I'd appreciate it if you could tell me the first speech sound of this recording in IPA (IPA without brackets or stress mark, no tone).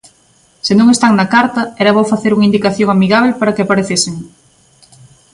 s